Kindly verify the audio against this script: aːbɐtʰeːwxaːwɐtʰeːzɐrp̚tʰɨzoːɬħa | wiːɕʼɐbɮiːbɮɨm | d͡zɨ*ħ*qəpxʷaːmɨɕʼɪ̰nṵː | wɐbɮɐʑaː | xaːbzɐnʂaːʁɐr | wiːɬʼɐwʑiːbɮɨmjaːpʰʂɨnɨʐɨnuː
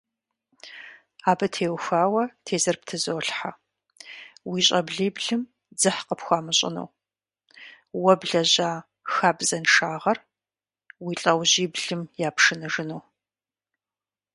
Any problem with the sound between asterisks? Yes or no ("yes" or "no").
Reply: no